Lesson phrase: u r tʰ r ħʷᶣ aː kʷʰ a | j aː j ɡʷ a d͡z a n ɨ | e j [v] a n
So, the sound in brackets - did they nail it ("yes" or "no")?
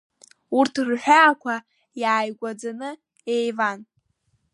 yes